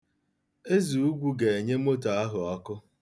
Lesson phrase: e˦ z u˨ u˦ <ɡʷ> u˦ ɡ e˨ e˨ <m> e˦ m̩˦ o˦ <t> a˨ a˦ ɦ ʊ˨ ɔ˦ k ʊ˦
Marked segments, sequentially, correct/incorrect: correct, incorrect, correct

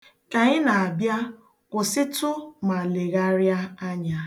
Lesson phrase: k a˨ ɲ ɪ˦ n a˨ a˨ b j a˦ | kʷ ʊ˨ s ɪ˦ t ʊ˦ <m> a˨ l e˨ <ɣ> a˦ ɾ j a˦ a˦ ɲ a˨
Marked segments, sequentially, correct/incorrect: correct, correct

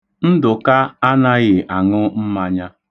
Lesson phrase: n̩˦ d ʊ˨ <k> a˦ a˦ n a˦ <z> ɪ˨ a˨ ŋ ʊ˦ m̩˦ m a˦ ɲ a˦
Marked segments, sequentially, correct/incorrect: correct, incorrect

